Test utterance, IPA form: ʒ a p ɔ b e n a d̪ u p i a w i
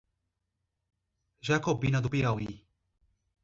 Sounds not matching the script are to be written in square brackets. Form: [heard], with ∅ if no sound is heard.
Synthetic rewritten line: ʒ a [k] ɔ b [i] n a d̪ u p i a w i